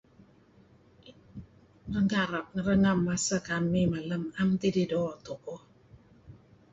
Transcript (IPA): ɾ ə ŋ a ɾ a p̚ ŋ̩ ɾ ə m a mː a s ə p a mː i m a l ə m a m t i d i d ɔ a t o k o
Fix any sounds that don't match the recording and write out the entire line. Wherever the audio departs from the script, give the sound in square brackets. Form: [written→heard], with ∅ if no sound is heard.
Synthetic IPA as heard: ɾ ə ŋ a ɾ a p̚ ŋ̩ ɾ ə [m→ŋ] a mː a s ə [p→k] a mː i m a l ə m a m t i d i d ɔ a t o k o